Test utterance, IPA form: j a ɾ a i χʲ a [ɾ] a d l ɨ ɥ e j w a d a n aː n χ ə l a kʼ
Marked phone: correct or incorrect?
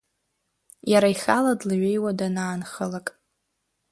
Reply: incorrect